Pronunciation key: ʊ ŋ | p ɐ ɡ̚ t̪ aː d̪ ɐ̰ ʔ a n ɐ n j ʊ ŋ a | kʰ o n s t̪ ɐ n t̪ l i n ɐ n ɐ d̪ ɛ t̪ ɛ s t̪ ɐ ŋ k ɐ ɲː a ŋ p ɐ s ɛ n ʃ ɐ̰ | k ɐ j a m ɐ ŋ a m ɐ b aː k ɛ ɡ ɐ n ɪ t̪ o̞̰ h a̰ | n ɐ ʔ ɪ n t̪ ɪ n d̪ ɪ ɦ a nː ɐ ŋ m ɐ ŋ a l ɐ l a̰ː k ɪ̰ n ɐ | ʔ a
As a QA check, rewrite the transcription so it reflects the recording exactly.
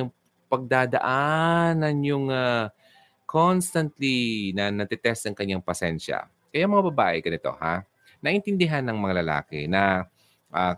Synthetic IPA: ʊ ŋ | p ɐ ɡ̚ d̪ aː d̪ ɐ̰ ʔ a n ɐ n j ʊ ŋ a | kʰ o n s t̪ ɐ n t̪ l i n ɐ n ɐ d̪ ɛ t̪ ɛ s t̪ ɐ ŋ k ɐ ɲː a ŋ p ɐ s ɛ n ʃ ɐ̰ | k ɐ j a m ɐ ŋ a b ɐ b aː ʔ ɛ ɡ ɐ n ɪ t̪ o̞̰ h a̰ | n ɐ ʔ ɪ n t̪ ɪ n d̪ ɪ ɦ a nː ɐ ŋ m ɐ ŋ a l ɐ l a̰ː k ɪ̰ n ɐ | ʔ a